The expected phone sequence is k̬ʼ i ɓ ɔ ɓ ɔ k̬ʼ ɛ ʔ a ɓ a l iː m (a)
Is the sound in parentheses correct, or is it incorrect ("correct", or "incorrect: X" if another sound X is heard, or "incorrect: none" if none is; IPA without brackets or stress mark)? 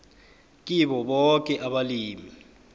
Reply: incorrect: i